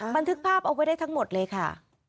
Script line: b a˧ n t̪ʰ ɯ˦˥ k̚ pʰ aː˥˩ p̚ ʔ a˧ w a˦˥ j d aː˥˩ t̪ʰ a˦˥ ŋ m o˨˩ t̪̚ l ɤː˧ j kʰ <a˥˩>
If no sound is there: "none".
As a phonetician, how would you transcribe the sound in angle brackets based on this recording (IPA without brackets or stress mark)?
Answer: a˥˩